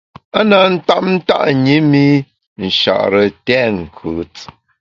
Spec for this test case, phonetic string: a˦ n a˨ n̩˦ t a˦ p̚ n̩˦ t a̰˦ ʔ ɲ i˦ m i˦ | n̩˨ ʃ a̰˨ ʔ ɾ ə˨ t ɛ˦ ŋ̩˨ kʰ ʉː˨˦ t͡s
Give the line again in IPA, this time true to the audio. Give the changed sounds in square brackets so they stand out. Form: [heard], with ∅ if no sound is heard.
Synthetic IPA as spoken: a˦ n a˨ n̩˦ t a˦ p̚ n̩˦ t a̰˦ ʔ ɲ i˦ m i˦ | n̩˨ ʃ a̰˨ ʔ ɾ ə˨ t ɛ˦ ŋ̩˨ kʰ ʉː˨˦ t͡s

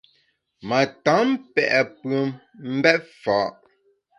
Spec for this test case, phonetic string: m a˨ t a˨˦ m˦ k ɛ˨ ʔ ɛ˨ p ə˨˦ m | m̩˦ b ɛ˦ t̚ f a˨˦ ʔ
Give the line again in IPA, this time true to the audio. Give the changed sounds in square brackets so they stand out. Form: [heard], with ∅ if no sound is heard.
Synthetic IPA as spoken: m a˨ t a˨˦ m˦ [p] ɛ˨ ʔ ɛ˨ p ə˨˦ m | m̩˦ b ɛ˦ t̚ f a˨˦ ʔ

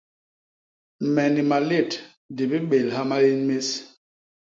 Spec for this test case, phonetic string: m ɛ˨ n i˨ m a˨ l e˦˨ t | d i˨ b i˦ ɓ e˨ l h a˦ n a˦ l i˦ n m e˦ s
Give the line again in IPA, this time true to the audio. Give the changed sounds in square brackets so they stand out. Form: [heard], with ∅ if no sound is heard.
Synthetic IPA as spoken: m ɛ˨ n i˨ m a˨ l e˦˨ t | d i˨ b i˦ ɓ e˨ l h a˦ [m] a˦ l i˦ n m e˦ s

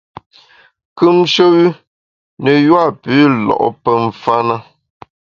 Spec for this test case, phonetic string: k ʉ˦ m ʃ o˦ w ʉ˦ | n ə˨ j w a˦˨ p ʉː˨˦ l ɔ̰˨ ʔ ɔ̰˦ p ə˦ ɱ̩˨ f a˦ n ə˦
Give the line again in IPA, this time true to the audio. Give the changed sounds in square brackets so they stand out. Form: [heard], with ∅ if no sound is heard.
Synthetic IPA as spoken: k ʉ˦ m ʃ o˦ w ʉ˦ | n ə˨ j w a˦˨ p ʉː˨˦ l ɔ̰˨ ʔ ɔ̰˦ p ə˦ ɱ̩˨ f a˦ n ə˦

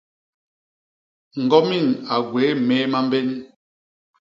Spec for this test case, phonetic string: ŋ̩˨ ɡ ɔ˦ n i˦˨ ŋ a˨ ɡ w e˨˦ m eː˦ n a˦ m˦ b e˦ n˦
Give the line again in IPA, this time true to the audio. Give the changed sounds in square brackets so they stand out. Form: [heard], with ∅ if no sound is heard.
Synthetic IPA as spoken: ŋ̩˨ ɡ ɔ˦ [m] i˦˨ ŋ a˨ ɡ w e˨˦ m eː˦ [m] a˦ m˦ b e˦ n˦

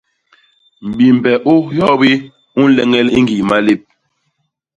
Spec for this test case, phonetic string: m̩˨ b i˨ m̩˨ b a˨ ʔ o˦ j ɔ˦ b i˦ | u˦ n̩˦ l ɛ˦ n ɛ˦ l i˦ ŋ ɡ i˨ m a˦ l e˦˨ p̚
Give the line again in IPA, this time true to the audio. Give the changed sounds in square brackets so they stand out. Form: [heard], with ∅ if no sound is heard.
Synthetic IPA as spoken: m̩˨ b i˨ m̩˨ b [ɛ˨] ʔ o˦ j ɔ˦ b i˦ | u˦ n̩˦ l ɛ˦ [ŋ] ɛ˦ l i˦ ŋ ɡ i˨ m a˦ l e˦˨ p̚

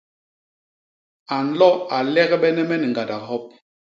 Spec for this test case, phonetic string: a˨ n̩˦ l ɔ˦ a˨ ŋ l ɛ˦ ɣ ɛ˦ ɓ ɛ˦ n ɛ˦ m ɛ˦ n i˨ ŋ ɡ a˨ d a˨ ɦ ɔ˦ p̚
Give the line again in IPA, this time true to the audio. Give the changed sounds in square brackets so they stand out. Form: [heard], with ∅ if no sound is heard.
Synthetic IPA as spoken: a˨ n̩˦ l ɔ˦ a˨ [∅] l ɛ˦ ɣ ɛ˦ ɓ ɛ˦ n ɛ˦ m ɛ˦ n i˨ ŋ ɡ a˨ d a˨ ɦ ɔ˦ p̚

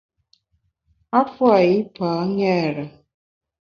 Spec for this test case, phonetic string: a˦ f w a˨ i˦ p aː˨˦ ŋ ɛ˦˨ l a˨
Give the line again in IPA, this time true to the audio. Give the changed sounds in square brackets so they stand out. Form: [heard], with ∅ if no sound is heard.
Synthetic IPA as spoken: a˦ f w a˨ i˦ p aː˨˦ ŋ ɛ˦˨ [ɾ] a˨

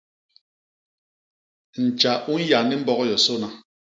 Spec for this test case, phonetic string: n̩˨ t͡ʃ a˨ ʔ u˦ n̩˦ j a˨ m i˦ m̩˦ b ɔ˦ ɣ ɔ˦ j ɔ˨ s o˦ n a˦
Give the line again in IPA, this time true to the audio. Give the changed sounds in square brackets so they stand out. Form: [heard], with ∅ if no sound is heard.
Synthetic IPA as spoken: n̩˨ t͡ʃ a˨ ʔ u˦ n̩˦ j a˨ [n] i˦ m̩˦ b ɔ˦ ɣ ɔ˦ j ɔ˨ s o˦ n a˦

